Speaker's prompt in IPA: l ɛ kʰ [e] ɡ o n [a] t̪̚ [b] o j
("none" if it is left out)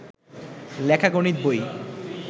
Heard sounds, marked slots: a, i, b

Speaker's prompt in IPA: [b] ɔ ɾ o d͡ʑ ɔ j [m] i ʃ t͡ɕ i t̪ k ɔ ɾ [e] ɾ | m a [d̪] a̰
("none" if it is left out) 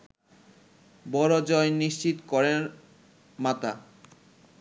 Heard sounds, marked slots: b, n, e, t̪

